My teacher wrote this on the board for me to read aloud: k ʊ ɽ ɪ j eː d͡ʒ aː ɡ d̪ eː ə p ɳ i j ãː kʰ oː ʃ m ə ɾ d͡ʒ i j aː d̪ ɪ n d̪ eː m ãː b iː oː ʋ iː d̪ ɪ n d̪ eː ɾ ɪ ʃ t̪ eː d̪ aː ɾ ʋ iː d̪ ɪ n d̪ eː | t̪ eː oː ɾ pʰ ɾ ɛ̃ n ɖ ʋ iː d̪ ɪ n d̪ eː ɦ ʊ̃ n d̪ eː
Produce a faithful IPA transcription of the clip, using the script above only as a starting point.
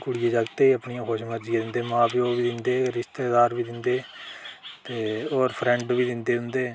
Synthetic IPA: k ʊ ɽ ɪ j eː d͡ʒ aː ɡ t̪ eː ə p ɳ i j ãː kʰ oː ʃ m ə ɾ d͡ʒ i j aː d̪ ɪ n d̪ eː m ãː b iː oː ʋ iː d̪ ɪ n d̪ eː ɾ ɪ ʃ t̪ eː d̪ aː ɾ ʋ iː d̪ ɪ n d̪ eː | t̪ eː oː ɾ pʰ ɾ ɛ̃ ɳ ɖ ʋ iː d̪ ɪ n d̪ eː ɦ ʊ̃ n d̪ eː